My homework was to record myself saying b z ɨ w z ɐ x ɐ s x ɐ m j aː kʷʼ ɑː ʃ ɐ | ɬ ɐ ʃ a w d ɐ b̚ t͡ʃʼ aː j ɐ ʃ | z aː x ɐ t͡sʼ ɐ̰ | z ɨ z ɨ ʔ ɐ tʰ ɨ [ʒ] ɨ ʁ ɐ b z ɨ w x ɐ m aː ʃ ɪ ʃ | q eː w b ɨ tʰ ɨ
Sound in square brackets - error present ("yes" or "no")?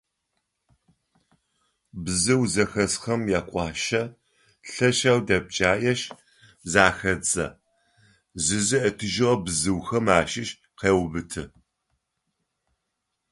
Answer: no